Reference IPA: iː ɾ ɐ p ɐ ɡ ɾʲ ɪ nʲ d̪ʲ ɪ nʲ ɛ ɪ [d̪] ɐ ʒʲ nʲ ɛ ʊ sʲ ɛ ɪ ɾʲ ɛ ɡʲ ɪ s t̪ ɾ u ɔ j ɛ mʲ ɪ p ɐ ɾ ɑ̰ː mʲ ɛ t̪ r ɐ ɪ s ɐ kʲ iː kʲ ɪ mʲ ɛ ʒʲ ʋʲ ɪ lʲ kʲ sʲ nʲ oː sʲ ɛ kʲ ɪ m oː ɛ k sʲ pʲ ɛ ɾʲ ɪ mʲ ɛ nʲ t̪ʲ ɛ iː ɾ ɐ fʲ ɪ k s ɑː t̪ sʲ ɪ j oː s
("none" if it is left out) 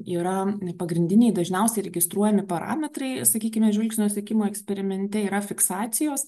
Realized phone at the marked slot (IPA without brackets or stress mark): d̪